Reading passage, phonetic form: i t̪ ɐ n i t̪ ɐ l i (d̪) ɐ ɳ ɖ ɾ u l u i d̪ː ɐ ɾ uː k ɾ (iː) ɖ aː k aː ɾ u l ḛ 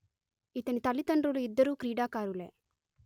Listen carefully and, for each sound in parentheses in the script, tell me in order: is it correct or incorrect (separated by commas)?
incorrect, correct